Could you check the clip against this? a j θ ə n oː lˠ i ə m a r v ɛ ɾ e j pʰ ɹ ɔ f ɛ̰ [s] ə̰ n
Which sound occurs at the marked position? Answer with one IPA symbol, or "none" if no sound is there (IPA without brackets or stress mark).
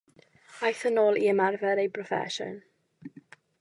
ʃ